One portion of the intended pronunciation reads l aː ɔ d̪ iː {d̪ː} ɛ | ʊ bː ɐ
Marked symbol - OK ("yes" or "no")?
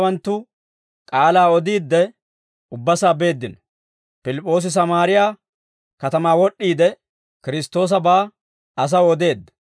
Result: yes